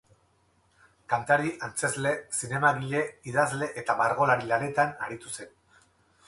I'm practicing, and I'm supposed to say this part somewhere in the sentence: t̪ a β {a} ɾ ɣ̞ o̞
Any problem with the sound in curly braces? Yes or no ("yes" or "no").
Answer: no